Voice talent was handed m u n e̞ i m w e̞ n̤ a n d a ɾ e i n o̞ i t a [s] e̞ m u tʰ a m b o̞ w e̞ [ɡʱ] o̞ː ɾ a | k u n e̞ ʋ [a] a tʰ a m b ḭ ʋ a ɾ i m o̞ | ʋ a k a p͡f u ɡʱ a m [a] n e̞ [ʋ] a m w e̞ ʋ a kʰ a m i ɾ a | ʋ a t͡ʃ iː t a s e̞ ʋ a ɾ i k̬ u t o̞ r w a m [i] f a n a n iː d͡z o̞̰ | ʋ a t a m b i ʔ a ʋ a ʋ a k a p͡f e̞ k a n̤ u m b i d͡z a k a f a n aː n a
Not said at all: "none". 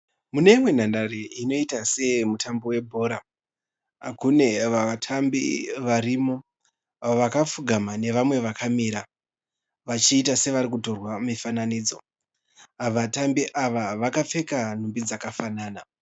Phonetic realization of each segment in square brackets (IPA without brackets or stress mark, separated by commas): s, bʱ, a, a, ʋ, i